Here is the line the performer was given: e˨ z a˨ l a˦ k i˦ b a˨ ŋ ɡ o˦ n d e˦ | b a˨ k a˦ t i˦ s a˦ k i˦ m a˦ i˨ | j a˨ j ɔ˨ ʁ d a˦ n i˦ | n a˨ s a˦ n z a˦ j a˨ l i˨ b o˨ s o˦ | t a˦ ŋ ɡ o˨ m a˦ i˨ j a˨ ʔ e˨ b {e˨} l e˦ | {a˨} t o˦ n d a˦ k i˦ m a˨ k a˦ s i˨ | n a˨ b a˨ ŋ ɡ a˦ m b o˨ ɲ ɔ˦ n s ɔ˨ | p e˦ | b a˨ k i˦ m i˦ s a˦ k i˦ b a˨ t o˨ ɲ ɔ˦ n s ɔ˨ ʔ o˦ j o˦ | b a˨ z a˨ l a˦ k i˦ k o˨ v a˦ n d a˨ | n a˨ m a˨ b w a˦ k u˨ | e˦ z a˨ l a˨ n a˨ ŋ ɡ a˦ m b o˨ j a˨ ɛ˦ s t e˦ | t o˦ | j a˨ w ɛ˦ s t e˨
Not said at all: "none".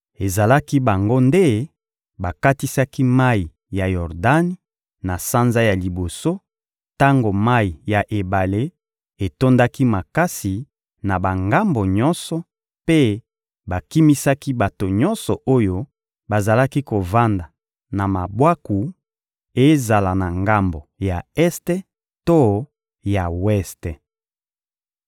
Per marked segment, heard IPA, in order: a˨, e˨

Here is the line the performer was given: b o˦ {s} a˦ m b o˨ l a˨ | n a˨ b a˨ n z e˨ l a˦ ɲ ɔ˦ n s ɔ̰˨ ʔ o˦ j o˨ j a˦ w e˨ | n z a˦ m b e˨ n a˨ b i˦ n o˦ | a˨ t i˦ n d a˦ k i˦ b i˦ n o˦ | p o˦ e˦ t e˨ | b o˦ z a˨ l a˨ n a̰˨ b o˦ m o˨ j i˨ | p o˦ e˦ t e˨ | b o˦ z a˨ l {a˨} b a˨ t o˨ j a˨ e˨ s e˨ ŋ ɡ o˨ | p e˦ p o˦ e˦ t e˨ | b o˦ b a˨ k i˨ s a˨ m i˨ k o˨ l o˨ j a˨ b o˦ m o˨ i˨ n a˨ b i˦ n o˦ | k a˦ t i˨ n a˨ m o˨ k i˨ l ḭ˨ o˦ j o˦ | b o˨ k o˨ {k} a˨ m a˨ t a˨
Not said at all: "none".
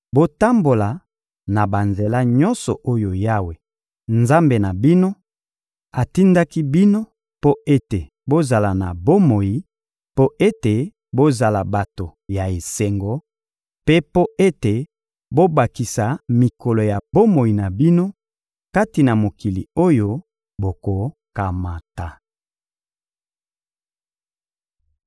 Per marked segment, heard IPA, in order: t, a˨, k

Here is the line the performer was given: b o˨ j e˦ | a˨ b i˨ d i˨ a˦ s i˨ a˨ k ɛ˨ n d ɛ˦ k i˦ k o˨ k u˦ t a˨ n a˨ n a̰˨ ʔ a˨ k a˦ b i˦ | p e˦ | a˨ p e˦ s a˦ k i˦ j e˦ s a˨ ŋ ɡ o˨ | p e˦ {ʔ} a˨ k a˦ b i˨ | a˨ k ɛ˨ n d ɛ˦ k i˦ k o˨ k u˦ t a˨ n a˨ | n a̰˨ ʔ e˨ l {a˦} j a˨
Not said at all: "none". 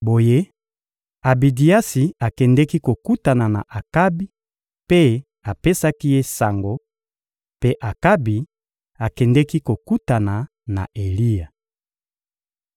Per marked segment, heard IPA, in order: ʔ, i˦

